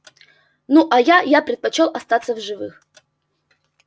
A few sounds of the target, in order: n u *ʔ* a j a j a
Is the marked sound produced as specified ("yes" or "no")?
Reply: yes